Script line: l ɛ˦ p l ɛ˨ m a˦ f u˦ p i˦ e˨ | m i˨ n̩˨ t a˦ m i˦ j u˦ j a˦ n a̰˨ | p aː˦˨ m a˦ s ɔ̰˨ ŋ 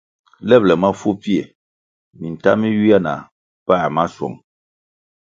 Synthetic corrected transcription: l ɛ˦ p l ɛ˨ m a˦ f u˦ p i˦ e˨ | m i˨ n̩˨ t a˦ m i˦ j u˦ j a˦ n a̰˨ | p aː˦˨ m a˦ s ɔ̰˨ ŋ